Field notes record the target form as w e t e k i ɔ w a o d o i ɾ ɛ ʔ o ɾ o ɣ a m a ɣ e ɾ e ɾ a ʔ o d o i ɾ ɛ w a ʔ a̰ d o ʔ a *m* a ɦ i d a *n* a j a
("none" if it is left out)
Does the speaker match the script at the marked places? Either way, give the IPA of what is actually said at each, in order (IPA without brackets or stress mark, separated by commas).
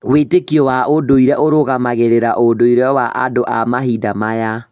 m, m